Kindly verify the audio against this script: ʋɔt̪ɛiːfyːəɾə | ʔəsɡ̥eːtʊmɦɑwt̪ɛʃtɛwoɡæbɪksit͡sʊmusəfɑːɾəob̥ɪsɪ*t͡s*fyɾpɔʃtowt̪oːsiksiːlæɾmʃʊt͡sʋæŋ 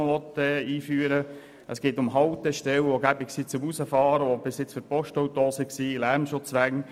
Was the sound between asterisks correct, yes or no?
yes